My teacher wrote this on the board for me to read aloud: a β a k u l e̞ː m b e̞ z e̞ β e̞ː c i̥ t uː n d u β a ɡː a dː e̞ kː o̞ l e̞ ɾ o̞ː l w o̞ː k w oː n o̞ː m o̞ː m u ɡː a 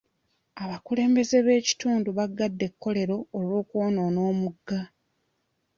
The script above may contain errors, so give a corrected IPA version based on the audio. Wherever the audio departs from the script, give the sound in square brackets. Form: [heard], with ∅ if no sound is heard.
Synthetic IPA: a β a k u l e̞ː m b e̞ z e̞ β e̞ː c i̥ t uː n d u β a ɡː a dː e̞ kː o̞ l e̞ ɾ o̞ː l w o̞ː k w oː n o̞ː [n] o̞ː m u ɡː a